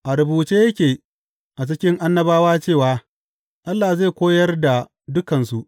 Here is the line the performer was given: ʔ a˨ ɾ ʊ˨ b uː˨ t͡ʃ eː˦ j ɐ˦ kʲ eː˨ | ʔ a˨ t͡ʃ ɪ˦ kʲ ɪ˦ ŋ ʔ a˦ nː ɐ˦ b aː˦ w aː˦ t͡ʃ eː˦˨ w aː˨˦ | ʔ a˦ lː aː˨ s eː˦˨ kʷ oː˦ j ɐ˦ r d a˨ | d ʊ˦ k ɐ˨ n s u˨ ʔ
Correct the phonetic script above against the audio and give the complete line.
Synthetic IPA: ʔ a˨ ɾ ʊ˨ b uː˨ t͡ʃ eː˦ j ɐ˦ kʲ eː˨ | ʔ a˨ t͡ʃ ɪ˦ kʲ ɪ˦ ŋ ʔ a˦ nː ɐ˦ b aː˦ w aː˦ t͡ʃ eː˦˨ w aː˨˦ | ʔ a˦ lː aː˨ z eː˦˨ kʷ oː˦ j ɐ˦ r d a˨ | d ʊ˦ k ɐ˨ n s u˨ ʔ